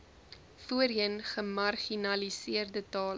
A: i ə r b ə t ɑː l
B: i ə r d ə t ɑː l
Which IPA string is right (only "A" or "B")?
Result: B